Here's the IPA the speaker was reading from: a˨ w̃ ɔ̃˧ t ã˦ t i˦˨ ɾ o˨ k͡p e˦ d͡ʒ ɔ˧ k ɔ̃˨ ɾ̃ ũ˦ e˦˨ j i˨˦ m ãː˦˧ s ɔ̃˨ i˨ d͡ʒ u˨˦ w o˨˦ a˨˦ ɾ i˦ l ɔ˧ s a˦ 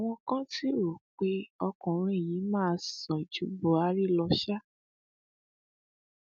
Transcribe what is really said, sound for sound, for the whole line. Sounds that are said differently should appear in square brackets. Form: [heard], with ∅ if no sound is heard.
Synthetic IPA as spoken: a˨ w̃ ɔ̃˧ [k] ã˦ t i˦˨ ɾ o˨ k͡p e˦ [∅] ɔ˧ k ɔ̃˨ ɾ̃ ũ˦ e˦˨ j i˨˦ m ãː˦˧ s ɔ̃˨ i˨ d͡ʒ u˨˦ [b] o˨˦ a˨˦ ɾ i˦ l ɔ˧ [ʃ] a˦